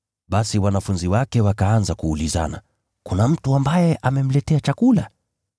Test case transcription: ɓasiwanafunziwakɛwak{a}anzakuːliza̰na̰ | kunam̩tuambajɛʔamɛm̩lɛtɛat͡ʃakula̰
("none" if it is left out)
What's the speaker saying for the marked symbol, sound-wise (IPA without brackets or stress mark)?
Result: a